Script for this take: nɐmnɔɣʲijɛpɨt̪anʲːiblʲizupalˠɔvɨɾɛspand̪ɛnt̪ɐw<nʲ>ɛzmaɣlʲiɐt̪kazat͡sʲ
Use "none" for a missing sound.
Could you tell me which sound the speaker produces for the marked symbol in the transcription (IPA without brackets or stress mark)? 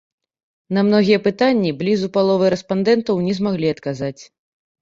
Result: nʲ